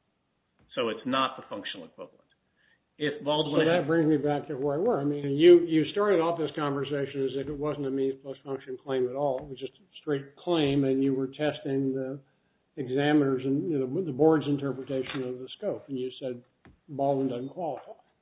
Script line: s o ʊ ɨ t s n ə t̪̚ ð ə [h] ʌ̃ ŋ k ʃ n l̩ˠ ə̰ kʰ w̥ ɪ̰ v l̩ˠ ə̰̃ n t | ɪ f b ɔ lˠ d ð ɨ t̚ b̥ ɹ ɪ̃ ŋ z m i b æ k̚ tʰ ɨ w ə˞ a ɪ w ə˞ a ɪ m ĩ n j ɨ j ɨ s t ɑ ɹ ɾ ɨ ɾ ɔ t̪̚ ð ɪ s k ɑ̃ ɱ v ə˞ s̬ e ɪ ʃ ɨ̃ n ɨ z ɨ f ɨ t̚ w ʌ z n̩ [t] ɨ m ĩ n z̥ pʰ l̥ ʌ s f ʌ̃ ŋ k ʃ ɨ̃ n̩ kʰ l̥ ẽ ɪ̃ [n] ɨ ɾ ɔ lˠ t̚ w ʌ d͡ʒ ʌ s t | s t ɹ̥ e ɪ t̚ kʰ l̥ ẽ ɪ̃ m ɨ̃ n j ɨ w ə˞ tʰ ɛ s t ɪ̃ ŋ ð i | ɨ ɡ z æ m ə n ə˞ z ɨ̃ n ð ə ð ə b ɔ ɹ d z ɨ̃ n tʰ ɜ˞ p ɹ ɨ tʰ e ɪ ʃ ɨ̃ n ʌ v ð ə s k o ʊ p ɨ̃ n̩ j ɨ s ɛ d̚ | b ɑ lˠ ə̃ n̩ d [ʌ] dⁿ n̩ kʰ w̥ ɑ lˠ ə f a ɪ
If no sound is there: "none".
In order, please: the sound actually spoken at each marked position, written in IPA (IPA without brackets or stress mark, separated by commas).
f, t, m, ʌ